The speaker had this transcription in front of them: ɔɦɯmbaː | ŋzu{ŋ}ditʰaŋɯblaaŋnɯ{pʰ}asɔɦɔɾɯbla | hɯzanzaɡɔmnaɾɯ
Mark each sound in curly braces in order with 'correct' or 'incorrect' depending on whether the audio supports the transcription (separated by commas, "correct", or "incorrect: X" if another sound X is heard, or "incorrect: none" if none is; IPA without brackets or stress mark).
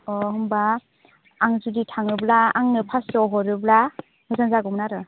incorrect: none, correct